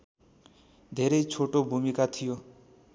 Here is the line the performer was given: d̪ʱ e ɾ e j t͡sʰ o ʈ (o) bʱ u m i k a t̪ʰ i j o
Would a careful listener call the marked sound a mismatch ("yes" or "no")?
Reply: no